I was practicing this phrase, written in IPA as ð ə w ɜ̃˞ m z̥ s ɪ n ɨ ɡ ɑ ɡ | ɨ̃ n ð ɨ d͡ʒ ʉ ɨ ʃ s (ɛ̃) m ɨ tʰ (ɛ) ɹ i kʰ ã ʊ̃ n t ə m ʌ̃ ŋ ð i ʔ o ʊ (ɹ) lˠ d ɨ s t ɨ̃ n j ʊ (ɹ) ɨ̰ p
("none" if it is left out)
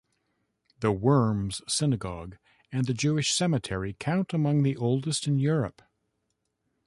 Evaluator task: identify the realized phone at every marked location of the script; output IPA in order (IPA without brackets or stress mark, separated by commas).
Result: ɛ, ɛ, none, ɹ